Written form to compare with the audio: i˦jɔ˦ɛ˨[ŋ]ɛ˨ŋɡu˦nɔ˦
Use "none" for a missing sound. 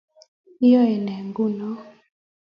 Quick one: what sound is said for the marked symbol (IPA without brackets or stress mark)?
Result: n